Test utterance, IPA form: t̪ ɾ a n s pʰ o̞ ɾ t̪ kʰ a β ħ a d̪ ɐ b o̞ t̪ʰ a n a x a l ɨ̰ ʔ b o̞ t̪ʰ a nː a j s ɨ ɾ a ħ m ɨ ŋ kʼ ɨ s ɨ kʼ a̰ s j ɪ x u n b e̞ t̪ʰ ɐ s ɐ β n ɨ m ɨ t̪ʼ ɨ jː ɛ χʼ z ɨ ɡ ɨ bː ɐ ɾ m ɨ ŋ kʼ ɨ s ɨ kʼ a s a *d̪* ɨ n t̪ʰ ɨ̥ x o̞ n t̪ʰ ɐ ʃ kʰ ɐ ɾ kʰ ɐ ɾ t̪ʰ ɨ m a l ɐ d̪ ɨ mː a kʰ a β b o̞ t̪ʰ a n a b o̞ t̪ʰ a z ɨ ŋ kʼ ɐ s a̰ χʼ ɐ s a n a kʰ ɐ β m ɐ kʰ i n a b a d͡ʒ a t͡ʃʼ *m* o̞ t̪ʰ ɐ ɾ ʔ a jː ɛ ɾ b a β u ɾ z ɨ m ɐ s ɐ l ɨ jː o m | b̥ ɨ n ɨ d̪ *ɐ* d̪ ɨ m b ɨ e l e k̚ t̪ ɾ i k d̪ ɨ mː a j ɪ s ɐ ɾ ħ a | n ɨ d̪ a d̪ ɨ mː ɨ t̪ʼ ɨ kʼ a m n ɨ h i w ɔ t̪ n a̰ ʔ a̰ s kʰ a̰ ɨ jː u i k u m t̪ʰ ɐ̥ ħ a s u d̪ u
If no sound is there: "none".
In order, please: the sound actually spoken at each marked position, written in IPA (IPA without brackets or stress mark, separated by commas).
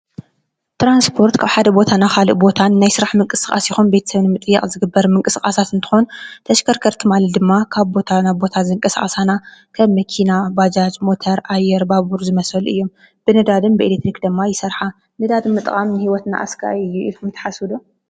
t̪, m, a